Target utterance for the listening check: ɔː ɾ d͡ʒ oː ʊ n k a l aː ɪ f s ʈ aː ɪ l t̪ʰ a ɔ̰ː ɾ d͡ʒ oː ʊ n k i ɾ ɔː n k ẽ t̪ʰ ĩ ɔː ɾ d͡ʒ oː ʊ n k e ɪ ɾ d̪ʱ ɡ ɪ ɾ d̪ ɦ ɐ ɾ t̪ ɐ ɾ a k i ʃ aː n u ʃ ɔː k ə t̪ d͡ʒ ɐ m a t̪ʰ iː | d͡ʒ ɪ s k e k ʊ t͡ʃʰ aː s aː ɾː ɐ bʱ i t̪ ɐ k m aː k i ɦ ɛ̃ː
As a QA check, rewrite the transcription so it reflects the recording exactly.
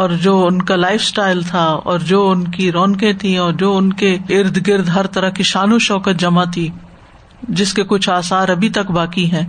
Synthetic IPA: ɔː ɾ d͡ʒ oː ʊ n k a l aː ɪ f s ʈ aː ɪ l t̪ʰ a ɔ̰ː ɾ d͡ʒ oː ʊ n k i ɾ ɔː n k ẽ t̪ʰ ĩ ɔː ɾ d͡ʒ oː ʊ n k e ɪ ɾ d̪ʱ ɡ ɪ ɾ d̪ ɦ ɐ ɾ t̪ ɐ ɾ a k i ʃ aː n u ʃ ɔː k ə t̪ d͡ʒ ɐ m a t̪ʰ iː | d͡ʒ ɪ s k e k ʊ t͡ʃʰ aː s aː ɾ ɐ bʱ i t̪ ɐ k b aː k i ɦ ɛ̃ː